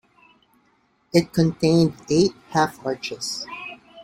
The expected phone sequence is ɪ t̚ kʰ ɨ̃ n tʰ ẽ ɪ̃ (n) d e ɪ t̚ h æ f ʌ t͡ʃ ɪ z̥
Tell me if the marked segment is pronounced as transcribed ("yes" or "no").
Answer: yes